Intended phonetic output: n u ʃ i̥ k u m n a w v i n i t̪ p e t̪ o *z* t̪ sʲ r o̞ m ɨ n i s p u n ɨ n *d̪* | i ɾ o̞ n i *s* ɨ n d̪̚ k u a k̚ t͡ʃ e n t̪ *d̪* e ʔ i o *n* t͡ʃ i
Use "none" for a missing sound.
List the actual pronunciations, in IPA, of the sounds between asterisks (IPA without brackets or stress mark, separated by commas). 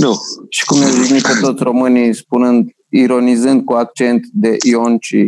none, d̪, z, d̪, n